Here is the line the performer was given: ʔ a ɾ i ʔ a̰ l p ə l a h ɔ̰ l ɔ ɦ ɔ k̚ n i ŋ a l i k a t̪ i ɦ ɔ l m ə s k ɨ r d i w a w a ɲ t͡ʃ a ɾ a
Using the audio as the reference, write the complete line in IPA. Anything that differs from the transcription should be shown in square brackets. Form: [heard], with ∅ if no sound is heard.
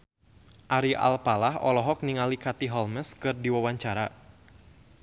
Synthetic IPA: ʔ a ɾ i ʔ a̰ l p [a] l a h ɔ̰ l ɔ ɦ ɔ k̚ n i ŋ a l i k a t̪ i ɦ ɔ l m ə s k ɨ r d i w a w a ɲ t͡ʃ a ɾ a